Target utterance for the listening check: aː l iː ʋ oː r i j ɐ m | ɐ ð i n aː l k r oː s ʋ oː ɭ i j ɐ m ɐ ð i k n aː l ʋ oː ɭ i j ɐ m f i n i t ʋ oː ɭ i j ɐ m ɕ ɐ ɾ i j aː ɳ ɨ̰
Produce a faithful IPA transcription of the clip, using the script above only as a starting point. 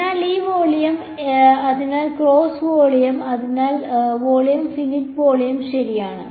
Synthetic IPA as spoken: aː l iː ʋ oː ɭ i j ɐ m | ɐ ð i n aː l k r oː s ʋ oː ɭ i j ɐ m ɐ ð i n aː l ʋ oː ɭ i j ɐ m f i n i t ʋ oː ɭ i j ɐ m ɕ ɐ ɾ i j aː ɳ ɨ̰